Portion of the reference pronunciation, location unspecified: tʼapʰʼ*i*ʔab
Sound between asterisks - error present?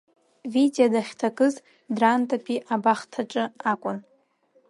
no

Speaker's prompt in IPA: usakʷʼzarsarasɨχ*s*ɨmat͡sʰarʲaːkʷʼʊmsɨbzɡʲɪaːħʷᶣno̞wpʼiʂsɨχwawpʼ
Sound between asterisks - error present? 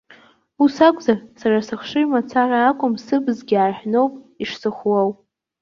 yes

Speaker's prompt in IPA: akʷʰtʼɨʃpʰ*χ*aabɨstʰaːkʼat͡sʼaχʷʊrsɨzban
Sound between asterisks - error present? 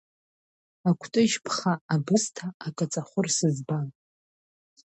no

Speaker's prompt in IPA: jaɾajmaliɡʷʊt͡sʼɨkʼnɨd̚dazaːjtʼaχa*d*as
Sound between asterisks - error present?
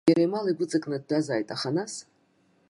yes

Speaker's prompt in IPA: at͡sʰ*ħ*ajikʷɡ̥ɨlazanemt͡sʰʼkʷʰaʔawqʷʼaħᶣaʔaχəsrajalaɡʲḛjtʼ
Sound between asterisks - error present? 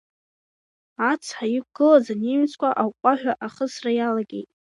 no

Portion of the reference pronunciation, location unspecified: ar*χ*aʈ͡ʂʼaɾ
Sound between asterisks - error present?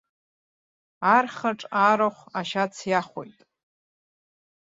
no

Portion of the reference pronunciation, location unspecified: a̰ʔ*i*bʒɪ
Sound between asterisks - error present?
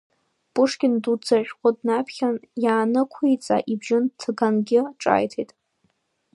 no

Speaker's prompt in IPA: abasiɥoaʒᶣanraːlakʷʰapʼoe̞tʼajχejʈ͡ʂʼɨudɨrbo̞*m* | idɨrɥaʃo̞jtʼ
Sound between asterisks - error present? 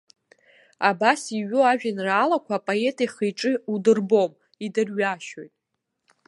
no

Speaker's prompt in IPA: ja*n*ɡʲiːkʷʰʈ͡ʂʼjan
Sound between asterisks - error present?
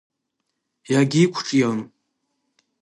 yes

